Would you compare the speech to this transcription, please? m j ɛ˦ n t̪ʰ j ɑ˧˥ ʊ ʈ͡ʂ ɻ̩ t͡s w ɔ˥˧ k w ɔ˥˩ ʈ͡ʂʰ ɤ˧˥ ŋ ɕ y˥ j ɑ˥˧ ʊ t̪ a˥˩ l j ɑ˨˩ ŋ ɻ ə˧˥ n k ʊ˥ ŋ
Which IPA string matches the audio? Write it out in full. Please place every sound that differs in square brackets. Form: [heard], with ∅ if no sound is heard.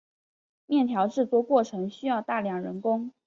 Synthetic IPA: m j [ɛ˥˩] n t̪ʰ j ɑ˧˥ ʊ ʈ͡ʂ ɻ̩ t͡s w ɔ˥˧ k w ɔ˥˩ ʈ͡ʂʰ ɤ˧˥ ŋ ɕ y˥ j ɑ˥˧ ʊ t̪ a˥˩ l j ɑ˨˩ ŋ ɻ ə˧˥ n k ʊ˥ ŋ